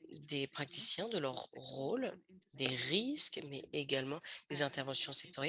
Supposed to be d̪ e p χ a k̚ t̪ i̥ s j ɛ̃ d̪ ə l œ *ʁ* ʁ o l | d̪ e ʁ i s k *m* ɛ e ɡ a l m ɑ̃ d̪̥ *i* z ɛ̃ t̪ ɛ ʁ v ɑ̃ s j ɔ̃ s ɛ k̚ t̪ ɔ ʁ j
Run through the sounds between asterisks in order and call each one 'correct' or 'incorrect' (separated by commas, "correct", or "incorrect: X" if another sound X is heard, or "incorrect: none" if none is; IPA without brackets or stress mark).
correct, correct, incorrect: e